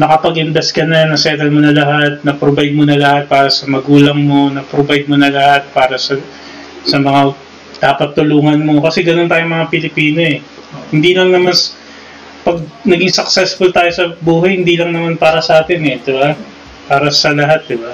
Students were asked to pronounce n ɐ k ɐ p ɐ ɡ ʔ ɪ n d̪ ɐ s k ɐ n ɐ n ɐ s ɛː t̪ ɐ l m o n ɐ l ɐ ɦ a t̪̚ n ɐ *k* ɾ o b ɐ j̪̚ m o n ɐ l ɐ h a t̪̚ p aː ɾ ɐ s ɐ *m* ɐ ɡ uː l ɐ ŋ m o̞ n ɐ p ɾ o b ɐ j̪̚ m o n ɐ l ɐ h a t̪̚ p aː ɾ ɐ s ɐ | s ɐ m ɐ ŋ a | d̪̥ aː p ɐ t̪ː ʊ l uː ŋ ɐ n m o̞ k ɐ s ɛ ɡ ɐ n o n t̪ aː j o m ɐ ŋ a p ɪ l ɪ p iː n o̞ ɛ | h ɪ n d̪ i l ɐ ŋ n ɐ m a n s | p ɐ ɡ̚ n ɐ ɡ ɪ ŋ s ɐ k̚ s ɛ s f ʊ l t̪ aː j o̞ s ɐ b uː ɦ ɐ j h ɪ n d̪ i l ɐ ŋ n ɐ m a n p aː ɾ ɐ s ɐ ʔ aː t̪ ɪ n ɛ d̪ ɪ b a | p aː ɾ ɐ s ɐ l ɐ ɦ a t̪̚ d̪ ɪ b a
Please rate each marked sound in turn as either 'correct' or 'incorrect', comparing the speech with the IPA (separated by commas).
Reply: incorrect, correct